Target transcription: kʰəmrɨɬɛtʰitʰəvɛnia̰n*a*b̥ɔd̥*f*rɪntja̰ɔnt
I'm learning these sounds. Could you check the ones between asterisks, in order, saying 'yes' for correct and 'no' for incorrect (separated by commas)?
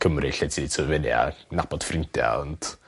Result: yes, yes